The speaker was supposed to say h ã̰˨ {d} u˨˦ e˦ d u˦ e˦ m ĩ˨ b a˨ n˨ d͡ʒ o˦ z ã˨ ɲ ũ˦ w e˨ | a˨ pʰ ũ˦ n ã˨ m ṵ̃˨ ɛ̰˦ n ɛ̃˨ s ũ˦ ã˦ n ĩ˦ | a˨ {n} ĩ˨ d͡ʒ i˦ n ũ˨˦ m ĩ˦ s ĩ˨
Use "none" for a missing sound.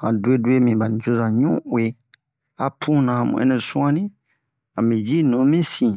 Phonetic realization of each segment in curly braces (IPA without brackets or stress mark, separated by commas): d, m